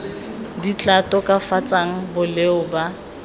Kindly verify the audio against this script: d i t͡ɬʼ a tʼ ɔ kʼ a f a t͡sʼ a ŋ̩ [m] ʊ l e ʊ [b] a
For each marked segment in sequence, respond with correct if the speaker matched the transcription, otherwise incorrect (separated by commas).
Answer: incorrect, correct